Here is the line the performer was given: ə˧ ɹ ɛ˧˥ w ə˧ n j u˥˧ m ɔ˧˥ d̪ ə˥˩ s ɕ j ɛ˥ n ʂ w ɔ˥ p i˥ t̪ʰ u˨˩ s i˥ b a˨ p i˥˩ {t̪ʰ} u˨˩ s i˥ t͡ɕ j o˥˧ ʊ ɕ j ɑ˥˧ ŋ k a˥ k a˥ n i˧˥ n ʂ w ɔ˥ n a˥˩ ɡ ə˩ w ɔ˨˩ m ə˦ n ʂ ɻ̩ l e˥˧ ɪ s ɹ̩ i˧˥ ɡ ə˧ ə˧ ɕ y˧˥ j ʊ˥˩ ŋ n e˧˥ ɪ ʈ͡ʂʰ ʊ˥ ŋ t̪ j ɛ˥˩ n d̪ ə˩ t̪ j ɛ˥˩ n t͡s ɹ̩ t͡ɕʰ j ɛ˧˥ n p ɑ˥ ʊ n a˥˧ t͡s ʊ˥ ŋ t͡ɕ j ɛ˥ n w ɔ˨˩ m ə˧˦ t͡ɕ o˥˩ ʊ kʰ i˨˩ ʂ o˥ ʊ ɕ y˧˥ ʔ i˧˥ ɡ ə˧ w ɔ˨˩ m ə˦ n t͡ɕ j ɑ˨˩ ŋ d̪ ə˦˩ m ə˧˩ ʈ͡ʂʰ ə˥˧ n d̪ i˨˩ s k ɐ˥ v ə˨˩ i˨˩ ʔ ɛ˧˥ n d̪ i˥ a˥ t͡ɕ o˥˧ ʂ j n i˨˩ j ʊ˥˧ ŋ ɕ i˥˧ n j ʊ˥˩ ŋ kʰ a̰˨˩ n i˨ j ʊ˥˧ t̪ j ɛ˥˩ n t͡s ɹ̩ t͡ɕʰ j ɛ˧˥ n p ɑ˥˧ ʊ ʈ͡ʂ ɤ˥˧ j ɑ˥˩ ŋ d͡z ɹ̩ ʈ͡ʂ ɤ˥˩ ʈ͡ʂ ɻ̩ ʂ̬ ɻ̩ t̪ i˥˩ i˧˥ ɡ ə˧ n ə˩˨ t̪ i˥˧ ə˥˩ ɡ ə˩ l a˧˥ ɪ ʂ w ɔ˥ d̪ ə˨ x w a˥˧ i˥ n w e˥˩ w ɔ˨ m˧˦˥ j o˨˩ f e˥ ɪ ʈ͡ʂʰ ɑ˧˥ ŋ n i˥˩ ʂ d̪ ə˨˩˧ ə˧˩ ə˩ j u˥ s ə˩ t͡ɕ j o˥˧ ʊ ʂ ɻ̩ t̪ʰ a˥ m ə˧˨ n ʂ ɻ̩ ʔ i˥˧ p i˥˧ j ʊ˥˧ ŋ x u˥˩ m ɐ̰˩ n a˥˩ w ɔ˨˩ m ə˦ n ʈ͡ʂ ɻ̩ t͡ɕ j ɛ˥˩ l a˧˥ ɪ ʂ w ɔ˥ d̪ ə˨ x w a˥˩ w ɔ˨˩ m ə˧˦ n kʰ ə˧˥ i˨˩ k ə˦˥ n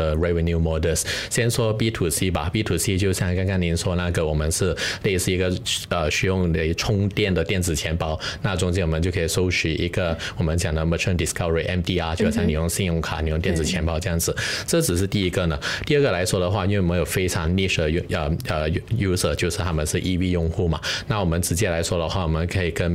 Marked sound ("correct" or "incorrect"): correct